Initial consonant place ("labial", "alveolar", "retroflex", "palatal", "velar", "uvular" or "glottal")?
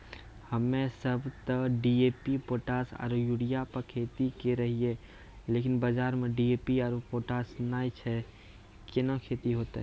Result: glottal